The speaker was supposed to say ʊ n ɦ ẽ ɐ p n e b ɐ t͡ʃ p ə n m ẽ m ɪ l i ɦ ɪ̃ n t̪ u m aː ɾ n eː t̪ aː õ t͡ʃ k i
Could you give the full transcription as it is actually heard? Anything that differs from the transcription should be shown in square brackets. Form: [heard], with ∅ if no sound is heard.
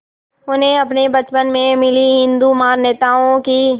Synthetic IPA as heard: ʊ n ɦ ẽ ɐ p n e b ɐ t͡ʃ p ə n m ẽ m ɪ l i ɦ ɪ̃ n [d̪] u m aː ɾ n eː t̪ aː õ [∅] k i